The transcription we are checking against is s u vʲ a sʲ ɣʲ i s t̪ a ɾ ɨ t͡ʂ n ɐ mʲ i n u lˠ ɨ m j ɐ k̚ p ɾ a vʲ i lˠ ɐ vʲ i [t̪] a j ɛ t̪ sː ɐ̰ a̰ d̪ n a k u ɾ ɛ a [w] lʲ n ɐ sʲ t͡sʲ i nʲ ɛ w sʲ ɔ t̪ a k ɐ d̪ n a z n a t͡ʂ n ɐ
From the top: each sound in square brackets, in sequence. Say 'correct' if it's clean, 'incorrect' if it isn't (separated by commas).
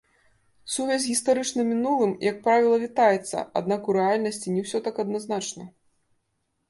correct, incorrect